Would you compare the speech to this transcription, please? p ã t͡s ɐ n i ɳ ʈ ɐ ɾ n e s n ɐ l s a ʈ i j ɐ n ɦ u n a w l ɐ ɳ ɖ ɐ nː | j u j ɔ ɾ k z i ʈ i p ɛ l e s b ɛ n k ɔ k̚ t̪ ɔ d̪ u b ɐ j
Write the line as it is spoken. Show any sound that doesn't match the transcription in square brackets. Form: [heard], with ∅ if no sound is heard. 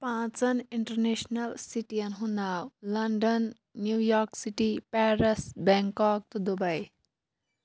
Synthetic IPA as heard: p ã t͡s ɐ n i ɳ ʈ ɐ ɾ n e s n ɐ l s [i] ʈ i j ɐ n ɦ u n a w l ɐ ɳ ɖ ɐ nː | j u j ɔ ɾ k [s] i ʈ i p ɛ [ɾ] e s b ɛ [ŋ] k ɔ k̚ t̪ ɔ d̪ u b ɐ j